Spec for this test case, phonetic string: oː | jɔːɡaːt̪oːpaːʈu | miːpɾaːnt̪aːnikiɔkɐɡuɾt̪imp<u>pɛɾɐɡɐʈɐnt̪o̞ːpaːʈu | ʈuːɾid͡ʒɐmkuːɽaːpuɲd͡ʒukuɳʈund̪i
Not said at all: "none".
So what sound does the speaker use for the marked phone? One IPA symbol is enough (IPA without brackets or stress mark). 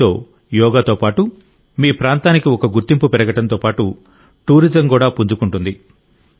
u